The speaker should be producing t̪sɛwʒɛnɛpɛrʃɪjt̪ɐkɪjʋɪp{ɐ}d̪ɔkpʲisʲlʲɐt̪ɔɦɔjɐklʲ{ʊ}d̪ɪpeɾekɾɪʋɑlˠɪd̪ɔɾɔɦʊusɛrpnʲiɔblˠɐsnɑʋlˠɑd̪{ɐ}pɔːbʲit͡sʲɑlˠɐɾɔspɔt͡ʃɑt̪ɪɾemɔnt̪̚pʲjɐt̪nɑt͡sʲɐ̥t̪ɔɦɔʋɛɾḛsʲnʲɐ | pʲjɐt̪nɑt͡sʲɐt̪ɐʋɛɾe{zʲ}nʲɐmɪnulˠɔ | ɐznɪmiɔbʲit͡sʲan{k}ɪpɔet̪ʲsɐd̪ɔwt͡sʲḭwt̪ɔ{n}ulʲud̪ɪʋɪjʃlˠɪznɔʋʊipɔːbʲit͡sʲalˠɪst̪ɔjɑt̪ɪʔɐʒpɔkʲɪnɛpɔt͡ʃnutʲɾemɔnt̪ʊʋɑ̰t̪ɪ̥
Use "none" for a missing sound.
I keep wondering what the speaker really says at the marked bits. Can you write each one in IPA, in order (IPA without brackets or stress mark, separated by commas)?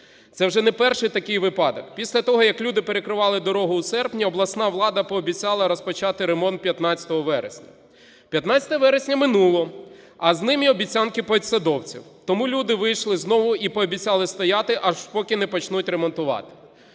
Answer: ɑ, u, ɐ, sʲ, k, m